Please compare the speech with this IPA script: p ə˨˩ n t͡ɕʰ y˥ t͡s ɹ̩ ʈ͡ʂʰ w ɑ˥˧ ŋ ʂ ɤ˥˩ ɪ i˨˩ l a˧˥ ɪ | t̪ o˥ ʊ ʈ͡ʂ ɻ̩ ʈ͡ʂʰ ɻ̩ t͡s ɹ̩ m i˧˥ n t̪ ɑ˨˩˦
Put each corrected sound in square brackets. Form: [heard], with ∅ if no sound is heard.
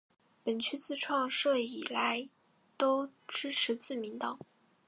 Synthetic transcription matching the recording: p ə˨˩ n t͡ɕʰ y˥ t͡s ɹ̩ ʈ͡ʂʰ w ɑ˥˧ ŋ ʂ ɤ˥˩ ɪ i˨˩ l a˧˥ ɪ | t̪ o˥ ʊ ʈ͡ʂ ɻ̩ ʈ͡ʂʰ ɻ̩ t͡s ɹ̩ m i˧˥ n t̪ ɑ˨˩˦